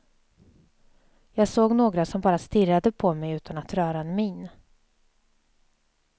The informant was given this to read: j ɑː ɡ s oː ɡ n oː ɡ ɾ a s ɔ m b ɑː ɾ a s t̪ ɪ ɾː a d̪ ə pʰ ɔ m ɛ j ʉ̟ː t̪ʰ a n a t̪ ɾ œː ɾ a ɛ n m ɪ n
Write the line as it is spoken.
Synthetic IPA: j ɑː ɡ s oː ɡ n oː ɡ ɾ a s ɔ m b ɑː ɾ a s t̪ ɪ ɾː a d̪ ə pʰ ɔ m ɛ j ʉ̟ː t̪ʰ a n a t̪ ɾ œː ɾ a ɛ n m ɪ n